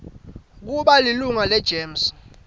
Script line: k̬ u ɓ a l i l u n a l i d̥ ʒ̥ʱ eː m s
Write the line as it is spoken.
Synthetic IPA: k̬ u ɓ a l i l u ŋ a l ɛ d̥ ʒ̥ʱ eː m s